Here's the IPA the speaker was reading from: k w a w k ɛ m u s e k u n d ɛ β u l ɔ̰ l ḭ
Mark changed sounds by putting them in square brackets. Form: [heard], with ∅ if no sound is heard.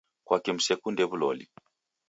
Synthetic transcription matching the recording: k w a [∅] k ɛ m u s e k u n d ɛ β u l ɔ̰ l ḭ